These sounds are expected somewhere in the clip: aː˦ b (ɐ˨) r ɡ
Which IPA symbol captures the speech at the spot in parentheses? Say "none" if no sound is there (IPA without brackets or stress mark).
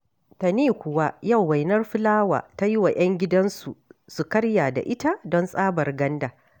ɐ˨